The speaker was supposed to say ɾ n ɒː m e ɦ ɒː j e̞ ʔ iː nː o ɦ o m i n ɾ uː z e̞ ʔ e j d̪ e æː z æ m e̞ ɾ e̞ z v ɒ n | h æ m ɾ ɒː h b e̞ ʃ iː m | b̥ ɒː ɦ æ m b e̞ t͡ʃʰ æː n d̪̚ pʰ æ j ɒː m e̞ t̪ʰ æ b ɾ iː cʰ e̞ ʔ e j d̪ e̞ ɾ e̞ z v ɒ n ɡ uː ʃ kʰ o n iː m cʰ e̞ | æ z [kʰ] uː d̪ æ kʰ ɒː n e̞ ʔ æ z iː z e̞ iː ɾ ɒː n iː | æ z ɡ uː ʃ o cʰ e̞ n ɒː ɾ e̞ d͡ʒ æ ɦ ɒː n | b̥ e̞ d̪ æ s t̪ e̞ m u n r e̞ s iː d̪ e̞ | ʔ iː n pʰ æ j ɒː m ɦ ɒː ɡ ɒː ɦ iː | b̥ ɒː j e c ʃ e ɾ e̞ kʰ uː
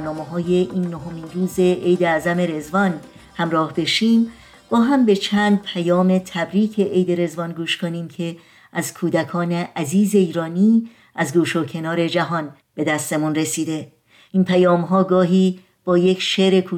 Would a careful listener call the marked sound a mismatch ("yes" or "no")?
no